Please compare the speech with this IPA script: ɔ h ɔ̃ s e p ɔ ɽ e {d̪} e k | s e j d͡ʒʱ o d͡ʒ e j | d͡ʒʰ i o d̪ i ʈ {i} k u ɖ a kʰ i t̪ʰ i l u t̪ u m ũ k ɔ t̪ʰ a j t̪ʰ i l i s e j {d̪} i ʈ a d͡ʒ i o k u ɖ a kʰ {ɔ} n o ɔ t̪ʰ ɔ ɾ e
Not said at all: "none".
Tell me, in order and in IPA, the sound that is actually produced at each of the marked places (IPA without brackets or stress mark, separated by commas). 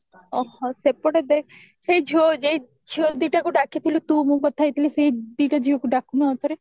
d̪, a, d̪, u